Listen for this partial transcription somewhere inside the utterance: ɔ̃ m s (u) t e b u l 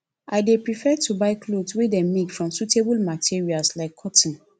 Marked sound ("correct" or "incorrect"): correct